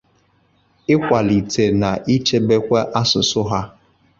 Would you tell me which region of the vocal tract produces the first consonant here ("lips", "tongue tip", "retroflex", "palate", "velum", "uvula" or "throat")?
velum